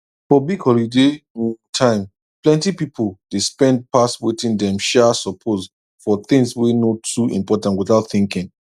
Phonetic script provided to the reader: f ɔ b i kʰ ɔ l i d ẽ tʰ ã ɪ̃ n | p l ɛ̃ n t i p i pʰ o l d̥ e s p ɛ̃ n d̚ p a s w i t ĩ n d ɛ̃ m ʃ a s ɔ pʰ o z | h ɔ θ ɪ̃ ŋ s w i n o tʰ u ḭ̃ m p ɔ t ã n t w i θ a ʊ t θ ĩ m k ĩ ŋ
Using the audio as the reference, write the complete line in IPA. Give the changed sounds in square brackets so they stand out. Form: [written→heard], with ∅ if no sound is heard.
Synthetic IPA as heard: f ɔ b i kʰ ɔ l i d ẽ tʰ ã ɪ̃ [n→m] | p l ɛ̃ n t i p i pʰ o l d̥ e s p ɛ̃ n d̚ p a s w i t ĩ n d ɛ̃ m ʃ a s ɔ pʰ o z | [h→f] ɔ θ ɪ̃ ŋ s w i n o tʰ u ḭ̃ m p ɔ t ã n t w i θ a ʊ t θ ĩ [m→ŋ] k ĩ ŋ